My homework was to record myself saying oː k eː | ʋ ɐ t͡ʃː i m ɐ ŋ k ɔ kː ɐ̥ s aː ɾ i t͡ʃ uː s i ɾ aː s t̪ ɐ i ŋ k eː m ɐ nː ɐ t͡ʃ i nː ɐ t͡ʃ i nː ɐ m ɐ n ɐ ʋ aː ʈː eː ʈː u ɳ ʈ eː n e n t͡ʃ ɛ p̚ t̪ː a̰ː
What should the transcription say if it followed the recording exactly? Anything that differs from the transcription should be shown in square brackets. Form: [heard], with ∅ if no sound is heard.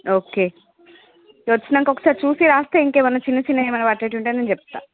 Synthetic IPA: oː k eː | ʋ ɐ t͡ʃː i [n] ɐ ŋ k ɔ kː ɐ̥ s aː ɾ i t͡ʃ uː s i ɾ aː s t̪ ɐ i ŋ k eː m ɐ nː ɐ t͡ʃ i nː ɐ t͡ʃ i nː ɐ m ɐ n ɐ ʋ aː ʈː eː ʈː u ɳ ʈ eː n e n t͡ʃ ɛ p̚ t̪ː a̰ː